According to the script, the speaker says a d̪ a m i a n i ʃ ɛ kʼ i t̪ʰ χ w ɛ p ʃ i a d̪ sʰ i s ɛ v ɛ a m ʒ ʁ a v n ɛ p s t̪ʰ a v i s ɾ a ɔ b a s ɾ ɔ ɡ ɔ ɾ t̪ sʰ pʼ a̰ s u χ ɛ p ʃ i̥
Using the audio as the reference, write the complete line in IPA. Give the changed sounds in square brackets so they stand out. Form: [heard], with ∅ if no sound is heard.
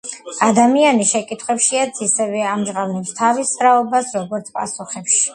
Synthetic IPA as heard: a d̪ a m i a n i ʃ ɛ kʼ i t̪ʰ χ w ɛ p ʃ i a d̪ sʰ i s ɛ v ɛ a m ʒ ʁ a v n ɛ p s t̪ʰ a v i s ɾ a ɔ b a s ɾ ɔ ɡ ɔ ɾ t̪ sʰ pʼ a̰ s u χ ɛ p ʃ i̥